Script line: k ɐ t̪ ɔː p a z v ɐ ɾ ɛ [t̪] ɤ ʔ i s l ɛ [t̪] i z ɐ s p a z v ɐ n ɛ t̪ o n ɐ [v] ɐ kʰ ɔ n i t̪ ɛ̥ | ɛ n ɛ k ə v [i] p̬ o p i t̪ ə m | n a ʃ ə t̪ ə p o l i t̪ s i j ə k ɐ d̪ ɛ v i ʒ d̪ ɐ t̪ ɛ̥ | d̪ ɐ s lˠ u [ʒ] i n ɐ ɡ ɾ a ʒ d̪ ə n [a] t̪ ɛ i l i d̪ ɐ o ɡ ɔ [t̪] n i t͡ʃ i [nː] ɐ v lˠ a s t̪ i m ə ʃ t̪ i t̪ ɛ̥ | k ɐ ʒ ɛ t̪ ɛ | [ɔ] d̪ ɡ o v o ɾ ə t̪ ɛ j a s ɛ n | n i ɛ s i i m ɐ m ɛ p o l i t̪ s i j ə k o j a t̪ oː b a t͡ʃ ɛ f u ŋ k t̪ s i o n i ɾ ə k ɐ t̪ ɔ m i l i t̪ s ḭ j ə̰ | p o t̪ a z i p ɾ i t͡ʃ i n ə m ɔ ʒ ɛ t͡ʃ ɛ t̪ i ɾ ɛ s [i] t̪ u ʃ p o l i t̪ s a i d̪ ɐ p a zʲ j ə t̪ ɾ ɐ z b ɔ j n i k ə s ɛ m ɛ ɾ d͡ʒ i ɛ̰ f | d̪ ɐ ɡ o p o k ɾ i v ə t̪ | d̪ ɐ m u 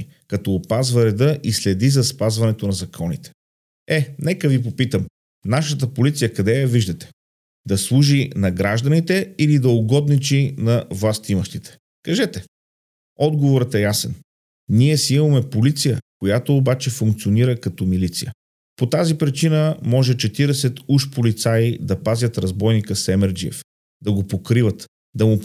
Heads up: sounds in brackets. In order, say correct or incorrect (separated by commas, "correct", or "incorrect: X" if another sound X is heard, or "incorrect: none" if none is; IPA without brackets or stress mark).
incorrect: d̪, incorrect: d̪, incorrect: z, correct, correct, incorrect: i, incorrect: d̪, incorrect: n, correct, incorrect: ɛ